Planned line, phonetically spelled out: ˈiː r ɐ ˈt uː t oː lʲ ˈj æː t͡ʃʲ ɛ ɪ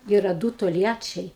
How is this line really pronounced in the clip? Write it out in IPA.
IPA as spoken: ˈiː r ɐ ˈd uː t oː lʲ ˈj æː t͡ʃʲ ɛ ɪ